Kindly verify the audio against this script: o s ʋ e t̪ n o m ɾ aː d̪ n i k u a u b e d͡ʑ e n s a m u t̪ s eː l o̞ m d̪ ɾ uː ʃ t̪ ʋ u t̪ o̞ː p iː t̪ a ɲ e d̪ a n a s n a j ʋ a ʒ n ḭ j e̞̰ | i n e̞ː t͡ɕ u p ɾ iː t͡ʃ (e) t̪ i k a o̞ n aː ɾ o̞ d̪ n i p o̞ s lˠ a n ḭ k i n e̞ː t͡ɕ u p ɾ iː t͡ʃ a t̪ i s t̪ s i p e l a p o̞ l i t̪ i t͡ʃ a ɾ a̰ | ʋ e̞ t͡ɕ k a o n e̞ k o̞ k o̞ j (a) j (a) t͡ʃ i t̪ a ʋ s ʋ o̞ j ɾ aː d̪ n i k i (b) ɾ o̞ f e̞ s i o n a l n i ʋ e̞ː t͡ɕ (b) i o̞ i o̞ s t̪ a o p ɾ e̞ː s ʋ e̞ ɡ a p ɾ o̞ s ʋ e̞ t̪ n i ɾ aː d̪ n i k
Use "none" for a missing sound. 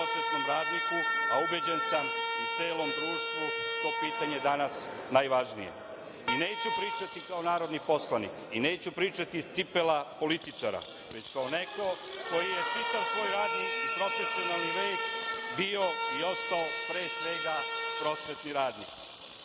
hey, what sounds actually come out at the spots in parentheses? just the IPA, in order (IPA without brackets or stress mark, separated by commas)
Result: a, i, e, p, b